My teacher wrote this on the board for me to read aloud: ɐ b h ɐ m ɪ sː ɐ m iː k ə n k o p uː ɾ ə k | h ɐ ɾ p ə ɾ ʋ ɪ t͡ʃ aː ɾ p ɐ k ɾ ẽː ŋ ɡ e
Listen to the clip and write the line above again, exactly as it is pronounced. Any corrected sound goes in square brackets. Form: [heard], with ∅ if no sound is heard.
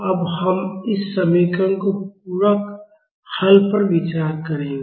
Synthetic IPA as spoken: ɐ b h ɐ m ɪ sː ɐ m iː k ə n k o p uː ɾ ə k | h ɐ [l] p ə ɾ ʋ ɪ t͡ʃ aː ɾ [k] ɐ [∅] ɾ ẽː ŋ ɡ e